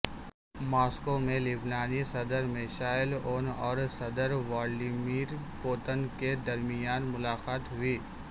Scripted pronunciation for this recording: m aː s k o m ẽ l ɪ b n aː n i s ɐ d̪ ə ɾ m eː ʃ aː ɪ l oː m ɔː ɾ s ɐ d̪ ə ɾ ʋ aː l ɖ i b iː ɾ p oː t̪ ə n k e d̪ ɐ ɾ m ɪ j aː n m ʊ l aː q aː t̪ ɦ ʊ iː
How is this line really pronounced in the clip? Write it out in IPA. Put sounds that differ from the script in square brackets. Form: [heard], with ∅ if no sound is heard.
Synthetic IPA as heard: m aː s k o m ẽ l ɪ b n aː n i s ɐ d̪ ə ɾ m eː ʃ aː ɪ l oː [n] ɔː ɾ s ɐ d̪ ə ɾ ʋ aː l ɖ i [m] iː ɾ p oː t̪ ə n k e d̪ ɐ ɾ m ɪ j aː n m ʊ l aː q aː t̪ ɦ ʊ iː